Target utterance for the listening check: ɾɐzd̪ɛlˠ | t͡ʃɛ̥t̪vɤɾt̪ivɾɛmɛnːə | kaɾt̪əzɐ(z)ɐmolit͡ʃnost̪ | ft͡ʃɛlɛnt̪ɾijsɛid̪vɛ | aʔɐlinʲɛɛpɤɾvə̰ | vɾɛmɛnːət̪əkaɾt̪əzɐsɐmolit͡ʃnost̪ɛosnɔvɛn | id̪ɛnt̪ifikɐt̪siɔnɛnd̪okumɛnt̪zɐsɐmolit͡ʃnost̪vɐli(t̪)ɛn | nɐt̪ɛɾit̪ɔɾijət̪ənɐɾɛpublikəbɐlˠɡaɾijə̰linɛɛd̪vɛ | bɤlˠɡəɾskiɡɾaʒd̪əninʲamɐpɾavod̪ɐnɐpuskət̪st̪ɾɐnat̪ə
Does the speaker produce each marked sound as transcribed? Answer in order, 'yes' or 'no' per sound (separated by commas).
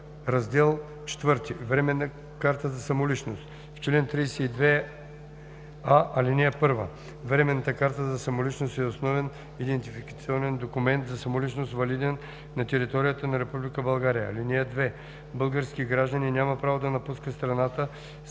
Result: no, no